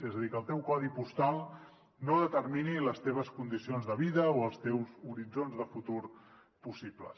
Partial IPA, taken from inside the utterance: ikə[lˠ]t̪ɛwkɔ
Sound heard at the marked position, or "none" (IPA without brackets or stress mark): lˠ